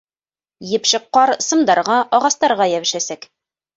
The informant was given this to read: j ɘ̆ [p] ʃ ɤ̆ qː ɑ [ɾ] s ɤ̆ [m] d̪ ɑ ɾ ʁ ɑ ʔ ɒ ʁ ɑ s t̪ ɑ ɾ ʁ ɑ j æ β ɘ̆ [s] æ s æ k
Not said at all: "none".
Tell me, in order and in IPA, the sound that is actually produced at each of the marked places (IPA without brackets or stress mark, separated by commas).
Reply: p, ɾ, m, ʃ